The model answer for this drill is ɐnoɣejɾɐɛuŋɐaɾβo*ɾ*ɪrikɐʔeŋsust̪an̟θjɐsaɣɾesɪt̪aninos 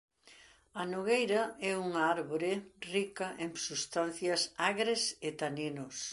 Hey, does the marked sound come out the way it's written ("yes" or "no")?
yes